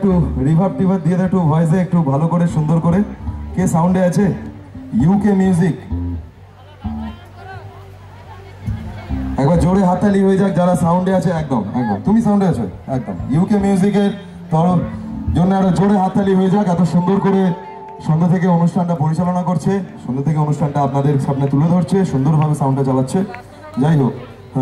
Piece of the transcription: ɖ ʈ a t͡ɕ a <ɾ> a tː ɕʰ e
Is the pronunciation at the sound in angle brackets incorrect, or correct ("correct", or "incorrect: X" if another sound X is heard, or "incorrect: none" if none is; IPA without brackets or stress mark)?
incorrect: l